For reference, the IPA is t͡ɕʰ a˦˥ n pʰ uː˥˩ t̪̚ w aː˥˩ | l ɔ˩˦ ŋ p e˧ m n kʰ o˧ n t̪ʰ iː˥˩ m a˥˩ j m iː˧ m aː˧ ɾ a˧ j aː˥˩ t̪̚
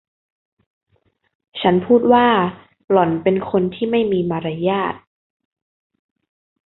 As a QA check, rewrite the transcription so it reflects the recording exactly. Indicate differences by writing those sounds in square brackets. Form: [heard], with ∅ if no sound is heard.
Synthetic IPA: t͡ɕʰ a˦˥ n pʰ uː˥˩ t̪̚ w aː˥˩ | l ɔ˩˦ [n] p e˧ [∅] n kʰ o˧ n t̪ʰ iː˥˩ m a˥˩ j m iː˧ m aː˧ ɾ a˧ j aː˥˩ t̪̚